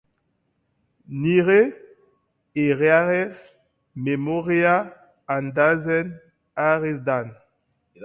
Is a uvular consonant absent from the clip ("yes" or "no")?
no